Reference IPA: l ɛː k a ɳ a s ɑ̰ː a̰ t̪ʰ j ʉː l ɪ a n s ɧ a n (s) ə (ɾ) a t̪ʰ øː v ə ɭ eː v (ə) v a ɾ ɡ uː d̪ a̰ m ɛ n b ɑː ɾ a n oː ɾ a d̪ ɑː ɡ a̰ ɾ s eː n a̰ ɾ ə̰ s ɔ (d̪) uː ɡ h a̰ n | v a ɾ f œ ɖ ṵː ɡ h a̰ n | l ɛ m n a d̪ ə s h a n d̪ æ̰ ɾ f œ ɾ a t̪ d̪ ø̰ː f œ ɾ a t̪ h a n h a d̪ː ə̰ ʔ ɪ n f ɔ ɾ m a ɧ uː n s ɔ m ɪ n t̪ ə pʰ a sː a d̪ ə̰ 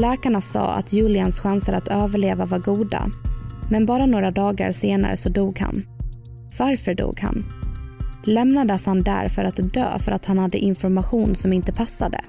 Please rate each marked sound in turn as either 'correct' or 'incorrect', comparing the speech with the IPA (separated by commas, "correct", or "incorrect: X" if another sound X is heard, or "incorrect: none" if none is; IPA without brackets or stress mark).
correct, correct, incorrect: a, correct